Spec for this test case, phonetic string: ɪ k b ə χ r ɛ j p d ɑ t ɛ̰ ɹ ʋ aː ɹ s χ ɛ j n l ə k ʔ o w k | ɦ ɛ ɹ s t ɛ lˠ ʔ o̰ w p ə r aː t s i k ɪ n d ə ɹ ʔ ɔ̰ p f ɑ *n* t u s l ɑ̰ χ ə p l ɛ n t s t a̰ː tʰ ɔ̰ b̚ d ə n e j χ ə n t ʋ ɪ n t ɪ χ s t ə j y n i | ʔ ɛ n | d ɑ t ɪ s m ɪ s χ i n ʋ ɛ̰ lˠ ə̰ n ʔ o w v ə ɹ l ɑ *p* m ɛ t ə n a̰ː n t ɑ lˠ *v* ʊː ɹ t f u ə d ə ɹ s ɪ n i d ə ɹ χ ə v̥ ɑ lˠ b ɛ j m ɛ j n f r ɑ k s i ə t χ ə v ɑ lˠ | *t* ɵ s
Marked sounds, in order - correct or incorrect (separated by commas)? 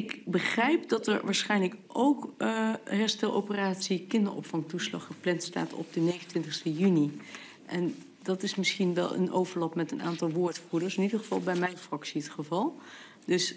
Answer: incorrect, correct, incorrect, incorrect